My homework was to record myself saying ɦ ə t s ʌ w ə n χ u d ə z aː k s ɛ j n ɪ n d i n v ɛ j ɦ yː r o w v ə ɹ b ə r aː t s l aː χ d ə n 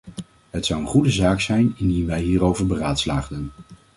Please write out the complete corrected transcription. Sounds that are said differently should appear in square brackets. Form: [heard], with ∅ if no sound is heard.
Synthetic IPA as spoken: ɦ ə t s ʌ w ə n χ u d ə z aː k s ɛ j n ɪ n d i n [ʋ] ɛ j ɦ [iː] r o w v ə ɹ b ə r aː t s l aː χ d ə n